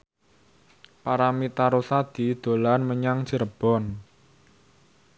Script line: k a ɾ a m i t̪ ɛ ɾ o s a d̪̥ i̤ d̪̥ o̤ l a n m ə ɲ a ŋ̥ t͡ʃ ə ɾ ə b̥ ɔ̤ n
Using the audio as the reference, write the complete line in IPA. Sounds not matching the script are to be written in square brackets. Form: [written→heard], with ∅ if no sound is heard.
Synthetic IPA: [k→p] a ɾ a m i t̪ [ɛ→a] ɾ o s a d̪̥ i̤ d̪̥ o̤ l a n m ə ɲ a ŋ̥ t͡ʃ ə ɾ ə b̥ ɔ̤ n